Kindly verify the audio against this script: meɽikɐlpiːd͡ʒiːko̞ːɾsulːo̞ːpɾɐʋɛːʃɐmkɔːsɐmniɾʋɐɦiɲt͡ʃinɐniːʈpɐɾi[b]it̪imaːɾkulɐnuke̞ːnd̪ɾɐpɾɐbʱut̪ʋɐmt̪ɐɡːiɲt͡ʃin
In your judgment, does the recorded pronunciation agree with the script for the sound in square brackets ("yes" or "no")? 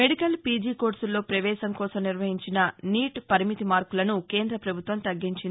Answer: no